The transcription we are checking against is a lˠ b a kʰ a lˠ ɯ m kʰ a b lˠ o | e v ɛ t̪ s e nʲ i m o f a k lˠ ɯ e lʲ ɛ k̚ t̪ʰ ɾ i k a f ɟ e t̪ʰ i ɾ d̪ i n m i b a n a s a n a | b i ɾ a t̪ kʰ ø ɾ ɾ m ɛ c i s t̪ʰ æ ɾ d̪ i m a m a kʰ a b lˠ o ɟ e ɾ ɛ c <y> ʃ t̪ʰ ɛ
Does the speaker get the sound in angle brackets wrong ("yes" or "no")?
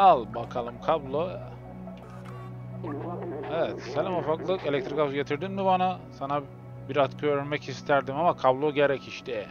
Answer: yes